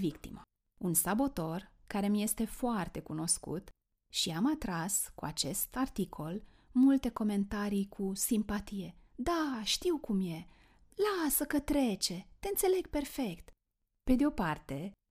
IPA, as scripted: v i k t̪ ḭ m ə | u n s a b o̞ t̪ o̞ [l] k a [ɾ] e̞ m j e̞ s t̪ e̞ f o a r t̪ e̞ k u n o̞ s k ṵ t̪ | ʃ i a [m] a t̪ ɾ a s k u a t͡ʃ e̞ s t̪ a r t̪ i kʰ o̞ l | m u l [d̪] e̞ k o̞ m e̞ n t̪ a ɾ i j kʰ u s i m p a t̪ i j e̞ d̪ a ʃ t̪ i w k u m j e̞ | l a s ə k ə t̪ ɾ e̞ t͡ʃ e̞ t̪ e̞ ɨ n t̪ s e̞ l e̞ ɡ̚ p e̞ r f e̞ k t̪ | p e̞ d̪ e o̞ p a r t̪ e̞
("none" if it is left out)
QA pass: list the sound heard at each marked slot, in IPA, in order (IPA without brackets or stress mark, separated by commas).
r, ɾ, m, t̪